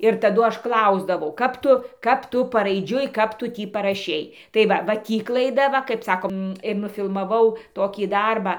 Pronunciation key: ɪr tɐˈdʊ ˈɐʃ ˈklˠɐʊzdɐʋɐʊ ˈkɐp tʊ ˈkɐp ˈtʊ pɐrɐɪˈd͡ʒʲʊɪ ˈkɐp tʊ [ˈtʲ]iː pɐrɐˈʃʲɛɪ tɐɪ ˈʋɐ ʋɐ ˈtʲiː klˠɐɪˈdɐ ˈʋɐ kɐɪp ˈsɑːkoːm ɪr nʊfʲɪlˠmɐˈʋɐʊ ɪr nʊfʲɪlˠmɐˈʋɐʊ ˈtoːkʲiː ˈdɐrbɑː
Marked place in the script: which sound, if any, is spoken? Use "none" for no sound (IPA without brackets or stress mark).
tʲ